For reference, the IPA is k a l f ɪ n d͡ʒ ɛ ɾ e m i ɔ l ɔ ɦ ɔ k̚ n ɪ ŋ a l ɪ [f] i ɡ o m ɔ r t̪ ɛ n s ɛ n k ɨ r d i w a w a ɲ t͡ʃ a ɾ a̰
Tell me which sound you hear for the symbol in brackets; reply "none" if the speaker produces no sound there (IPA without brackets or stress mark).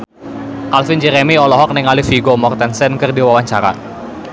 f